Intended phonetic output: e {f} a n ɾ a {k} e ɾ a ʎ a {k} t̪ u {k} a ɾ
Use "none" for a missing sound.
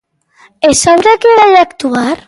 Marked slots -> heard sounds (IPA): s, k, k, none

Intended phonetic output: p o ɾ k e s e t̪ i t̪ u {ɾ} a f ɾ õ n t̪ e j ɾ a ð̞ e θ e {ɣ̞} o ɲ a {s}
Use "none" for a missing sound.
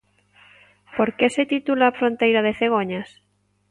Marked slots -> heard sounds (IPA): l, ɣ̞, s

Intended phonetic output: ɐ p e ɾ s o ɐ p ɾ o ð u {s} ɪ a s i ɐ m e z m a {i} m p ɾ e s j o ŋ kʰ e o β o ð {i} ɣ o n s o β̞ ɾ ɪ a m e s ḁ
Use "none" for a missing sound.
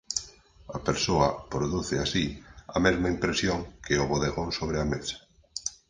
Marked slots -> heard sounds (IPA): θ, i, e

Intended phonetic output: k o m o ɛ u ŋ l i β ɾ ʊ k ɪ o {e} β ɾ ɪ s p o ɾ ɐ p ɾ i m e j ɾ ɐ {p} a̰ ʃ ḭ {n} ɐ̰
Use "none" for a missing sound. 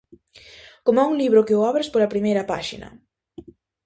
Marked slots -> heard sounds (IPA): a, p, n

